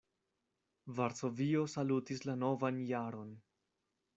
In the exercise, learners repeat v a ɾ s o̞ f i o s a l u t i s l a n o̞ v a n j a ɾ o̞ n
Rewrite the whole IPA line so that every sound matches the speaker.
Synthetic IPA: v a ɾ s o̞ v i o s a l u t i s l a n o̞ v a n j a ɾ o̞ n